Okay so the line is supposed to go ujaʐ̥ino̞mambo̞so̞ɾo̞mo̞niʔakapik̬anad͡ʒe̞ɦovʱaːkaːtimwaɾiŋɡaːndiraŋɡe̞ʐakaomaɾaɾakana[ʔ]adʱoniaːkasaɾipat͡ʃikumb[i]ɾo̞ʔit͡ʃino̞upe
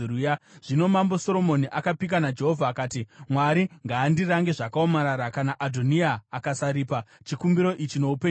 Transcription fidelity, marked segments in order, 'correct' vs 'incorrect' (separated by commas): correct, correct